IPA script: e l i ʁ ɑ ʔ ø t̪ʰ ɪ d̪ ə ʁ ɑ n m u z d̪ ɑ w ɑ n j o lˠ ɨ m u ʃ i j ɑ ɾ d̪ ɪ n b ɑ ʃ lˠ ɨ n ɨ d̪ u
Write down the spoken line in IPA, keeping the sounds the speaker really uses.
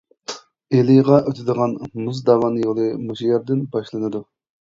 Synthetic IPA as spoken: e l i ʁ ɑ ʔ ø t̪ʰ ɪ d̪ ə ʁ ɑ n m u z d̪ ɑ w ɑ n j o lˠ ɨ m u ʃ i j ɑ ɾ d̪ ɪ n b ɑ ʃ lˠ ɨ n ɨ d̪ u

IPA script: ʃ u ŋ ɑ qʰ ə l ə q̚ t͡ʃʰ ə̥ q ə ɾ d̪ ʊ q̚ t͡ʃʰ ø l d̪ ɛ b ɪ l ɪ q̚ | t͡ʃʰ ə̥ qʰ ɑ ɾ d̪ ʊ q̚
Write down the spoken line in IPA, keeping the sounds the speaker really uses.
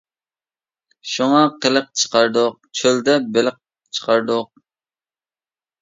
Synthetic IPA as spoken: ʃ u ŋ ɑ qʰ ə l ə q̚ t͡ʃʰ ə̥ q ɑ ɾ d̪ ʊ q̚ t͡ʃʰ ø l d̪ ɛ b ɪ l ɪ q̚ | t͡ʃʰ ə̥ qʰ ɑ ɾ d̪ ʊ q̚

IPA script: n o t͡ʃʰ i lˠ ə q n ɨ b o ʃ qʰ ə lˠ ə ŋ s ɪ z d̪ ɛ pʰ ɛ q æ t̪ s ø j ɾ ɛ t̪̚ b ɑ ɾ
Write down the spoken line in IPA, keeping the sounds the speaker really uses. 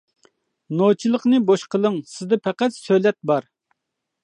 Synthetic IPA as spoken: n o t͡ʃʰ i lˠ ə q n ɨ b o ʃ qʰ ə lˠ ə ŋ s ɪ z d̪ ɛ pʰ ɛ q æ t̪ s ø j l ɛ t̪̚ b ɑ ɾ

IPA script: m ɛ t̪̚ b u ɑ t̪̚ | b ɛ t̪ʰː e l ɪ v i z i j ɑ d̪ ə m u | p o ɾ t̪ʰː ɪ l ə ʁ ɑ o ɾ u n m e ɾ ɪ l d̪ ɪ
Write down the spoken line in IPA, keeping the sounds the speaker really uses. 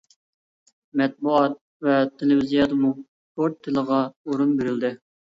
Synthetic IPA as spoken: m ɛ t̪̚ b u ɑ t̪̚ | v ɛ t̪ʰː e l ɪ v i z i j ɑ d̪ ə m u | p o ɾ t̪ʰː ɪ l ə ʁ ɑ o ɾ u n b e ɾ ɪ l d̪ ɪ

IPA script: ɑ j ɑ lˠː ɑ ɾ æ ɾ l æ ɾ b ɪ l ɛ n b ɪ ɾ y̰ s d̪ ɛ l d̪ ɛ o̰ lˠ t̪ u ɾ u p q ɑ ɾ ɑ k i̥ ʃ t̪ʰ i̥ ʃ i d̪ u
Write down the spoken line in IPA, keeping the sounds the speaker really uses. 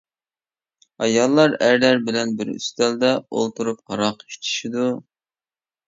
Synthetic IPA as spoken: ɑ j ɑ lˠː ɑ ɾ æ ɾ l æ ɾ b ɪ l ɛ n b ɪ ɾ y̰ s t̪ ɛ l d̪ ɛ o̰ lˠ t̪ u ɾ u p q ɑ ɾ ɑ q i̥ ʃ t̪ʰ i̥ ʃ i d̪ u

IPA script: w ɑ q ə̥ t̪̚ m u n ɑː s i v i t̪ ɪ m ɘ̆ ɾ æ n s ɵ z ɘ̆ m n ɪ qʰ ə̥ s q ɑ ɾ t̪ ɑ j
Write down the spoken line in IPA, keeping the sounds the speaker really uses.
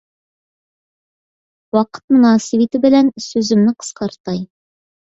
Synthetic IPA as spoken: w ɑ q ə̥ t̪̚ m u n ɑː s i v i t̪ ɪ b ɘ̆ l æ n s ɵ z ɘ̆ m n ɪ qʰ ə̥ s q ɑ ɾ t̪ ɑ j

